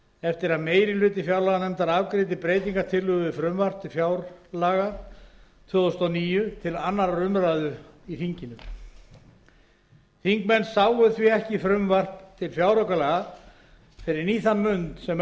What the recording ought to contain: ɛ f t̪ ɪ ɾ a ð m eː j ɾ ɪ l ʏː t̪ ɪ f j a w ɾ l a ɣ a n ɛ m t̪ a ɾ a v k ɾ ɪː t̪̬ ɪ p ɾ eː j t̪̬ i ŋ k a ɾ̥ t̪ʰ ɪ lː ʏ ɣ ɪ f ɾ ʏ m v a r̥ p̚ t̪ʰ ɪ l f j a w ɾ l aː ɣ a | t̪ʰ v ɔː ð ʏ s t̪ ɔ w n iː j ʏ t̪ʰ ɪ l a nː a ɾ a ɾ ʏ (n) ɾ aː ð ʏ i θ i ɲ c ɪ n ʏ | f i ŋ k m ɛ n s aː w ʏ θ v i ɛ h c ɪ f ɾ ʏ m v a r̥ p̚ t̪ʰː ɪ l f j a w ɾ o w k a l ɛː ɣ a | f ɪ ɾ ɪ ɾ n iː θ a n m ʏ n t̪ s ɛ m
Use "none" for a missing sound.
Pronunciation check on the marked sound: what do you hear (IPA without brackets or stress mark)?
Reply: m